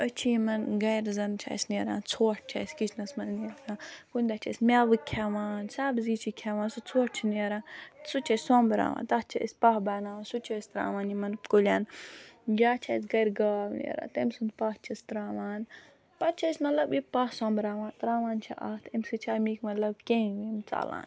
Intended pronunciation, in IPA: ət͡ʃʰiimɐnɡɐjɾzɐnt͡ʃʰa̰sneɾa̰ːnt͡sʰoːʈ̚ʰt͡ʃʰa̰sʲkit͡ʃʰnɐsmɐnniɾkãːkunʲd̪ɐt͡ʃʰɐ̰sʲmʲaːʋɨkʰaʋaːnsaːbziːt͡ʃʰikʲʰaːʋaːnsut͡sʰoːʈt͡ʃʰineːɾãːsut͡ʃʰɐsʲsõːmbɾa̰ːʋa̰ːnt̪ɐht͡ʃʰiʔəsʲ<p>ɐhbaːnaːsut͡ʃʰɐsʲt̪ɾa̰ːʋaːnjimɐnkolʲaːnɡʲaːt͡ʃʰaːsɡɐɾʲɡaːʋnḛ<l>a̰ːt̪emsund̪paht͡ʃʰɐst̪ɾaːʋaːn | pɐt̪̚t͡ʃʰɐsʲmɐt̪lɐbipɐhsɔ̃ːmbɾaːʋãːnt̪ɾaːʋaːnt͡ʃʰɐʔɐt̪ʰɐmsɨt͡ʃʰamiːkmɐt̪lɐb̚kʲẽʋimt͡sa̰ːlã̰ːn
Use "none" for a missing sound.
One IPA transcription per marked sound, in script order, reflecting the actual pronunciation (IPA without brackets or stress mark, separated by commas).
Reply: p, ɾ